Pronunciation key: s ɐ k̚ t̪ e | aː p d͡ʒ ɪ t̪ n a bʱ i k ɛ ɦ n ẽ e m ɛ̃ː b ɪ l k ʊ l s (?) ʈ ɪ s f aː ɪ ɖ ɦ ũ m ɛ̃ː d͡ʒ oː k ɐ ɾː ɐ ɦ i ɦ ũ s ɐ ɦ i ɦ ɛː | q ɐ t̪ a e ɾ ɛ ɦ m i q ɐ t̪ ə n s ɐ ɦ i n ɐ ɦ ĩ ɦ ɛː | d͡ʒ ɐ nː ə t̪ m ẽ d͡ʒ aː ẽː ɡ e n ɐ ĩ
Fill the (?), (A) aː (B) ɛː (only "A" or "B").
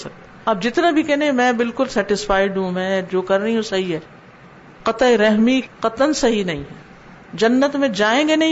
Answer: B